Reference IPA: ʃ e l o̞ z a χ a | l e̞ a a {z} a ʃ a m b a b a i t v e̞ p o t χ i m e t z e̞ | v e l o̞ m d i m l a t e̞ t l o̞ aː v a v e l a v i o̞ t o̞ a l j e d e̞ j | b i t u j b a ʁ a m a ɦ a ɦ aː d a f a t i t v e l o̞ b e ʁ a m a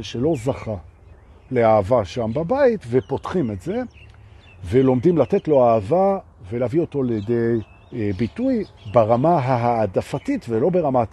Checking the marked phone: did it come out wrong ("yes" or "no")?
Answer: yes